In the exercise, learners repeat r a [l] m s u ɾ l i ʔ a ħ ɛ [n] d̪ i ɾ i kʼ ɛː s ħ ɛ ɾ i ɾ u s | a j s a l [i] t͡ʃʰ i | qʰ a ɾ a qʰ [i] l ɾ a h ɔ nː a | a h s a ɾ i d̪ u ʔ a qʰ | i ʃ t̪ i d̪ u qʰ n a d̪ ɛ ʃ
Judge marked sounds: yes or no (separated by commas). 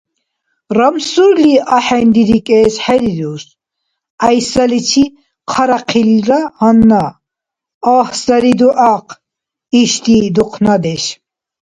no, yes, yes, yes